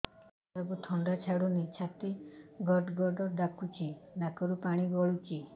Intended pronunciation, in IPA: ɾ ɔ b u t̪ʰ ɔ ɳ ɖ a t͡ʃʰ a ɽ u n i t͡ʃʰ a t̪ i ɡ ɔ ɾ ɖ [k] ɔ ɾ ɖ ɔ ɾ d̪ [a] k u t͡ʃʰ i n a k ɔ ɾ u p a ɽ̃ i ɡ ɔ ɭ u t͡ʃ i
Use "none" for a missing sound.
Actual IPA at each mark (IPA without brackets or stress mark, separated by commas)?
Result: ɡ, a